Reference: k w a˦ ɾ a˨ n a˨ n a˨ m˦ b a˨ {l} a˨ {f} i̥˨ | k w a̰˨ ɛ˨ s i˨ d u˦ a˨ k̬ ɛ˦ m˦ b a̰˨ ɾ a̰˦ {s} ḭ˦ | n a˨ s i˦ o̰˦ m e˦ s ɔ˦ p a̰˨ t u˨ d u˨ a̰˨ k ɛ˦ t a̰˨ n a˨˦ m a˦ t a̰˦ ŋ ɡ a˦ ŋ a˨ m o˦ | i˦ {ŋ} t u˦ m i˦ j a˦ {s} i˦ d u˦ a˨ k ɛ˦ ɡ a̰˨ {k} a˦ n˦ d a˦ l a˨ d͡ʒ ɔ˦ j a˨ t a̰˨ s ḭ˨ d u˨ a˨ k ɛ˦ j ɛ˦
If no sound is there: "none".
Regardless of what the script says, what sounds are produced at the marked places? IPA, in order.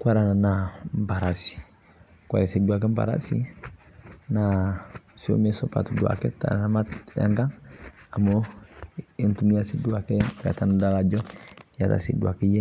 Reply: ɾ, s, s, n, s, t

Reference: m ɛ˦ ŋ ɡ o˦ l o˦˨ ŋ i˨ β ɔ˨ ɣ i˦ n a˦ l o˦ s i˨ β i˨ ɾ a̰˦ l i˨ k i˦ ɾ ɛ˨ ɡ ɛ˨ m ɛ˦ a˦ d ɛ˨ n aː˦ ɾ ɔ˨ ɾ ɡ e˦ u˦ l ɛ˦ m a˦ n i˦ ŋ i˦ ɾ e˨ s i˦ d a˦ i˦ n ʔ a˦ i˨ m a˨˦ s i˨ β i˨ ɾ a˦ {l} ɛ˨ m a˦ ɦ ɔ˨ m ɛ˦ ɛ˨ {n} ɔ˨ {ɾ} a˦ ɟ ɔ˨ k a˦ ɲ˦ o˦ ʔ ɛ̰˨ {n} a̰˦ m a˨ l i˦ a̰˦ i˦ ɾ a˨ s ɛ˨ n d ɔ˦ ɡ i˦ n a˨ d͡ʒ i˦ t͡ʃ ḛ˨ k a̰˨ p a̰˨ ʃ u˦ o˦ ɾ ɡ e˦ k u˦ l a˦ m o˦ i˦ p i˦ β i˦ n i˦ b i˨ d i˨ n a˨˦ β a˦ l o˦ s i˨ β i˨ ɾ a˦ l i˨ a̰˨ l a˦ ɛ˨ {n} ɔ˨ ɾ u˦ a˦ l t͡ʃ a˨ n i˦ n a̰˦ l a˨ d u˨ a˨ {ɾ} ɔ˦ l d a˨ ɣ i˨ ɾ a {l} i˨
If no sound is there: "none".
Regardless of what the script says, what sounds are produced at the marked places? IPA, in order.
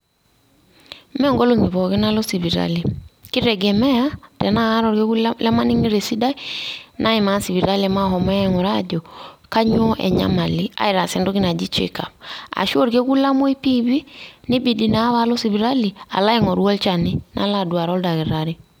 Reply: l, ŋ, ɾ, ɲ, ŋ, ɾ, ɾ

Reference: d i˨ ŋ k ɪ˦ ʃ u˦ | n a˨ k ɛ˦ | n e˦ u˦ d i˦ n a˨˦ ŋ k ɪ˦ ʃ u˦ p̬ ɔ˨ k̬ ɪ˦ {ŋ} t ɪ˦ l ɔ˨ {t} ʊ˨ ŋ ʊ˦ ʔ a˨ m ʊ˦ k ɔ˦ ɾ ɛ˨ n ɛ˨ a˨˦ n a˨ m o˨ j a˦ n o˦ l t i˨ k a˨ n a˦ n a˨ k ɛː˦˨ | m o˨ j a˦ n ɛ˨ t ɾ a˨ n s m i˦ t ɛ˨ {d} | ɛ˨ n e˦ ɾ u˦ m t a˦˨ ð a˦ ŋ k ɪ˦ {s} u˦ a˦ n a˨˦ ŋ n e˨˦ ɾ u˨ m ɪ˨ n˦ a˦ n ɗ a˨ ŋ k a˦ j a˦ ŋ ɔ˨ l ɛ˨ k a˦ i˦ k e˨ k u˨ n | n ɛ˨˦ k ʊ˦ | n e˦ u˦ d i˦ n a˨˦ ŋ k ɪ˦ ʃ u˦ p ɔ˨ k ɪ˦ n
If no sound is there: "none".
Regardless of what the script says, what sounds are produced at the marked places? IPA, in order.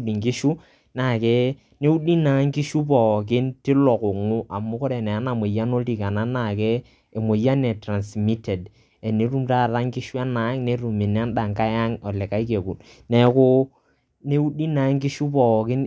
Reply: n, k, d, ʃ

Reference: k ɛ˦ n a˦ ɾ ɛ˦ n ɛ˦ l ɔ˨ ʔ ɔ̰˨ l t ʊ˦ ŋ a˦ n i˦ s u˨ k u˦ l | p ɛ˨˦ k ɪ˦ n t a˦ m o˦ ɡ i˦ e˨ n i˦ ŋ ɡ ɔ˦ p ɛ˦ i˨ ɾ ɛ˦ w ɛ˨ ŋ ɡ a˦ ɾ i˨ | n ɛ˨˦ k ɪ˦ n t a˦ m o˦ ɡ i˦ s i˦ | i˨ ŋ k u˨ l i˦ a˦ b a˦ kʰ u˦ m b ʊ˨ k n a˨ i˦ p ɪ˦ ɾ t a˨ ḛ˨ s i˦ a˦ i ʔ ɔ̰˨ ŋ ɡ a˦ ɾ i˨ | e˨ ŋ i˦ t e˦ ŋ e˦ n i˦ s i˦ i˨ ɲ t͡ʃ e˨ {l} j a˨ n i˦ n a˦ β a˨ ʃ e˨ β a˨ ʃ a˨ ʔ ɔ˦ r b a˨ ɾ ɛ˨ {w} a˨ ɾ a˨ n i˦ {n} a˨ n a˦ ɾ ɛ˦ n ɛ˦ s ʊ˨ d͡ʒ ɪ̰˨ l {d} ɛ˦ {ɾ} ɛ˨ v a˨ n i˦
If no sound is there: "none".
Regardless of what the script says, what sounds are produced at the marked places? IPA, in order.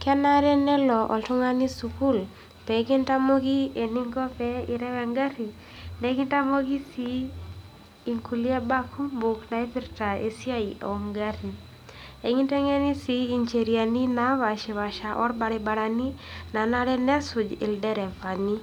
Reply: ɾ, b, n, d, ɾ

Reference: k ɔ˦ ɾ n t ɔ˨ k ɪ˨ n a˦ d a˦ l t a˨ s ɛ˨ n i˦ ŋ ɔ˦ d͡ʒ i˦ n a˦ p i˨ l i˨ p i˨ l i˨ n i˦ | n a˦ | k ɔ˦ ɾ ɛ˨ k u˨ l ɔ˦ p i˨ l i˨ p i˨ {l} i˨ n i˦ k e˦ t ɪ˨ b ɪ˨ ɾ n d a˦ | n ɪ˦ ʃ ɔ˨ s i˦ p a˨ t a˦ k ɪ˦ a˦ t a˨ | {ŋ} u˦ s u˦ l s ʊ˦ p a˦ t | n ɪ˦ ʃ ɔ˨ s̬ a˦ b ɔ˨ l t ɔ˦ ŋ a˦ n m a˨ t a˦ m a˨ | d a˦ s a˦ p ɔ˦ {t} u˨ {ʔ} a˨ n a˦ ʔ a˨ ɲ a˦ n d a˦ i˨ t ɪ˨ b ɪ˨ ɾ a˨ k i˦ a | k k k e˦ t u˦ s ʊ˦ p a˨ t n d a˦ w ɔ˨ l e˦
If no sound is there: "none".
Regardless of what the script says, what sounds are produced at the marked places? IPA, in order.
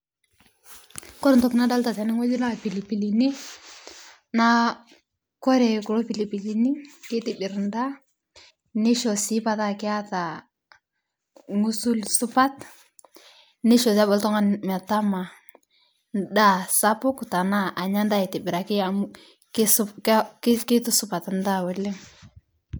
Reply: l, ŋ, k, t

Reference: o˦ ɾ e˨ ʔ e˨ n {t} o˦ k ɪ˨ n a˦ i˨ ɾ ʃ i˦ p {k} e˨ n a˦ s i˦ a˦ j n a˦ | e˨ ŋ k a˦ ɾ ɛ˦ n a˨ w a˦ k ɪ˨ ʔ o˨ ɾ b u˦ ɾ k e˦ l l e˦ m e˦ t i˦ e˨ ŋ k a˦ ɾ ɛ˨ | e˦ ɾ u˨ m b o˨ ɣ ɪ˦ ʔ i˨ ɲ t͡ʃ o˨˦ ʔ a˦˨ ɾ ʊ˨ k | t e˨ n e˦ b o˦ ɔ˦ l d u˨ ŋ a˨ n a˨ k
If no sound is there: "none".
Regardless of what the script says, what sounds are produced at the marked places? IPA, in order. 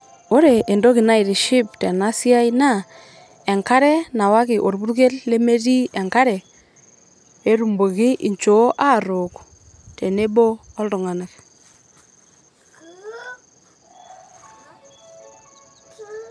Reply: d, t

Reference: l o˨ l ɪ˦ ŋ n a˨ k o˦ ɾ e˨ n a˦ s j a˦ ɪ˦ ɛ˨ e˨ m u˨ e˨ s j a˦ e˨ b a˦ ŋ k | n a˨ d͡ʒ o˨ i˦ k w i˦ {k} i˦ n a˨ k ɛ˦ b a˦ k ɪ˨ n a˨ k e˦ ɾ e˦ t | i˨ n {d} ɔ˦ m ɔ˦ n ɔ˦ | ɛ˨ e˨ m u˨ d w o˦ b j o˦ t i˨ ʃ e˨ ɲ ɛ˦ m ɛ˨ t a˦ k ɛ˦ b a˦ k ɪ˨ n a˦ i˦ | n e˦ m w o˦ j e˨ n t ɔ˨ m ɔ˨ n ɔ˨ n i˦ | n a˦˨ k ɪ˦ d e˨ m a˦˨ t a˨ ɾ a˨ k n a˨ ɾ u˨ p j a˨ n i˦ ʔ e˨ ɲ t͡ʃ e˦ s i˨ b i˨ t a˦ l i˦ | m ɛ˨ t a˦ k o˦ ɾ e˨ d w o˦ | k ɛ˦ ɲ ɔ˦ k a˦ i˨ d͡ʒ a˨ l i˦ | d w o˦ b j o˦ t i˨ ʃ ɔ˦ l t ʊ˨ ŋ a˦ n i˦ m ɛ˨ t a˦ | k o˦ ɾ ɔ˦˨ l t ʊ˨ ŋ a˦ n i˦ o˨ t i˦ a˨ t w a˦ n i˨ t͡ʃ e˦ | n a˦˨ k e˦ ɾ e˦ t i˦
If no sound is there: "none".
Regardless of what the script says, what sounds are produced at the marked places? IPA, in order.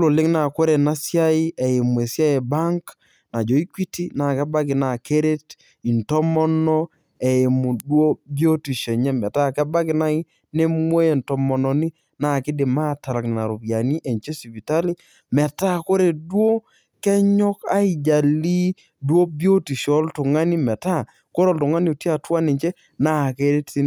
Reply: t, t

